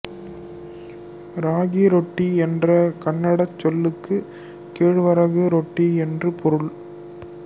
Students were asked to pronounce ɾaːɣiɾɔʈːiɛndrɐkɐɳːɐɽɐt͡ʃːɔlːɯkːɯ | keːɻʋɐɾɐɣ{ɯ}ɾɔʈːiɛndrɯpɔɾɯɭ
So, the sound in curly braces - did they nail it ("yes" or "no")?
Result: yes